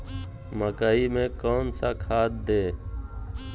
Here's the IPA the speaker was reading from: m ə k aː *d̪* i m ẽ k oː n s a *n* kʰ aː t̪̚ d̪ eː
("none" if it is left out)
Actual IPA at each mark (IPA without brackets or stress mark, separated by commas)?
none, none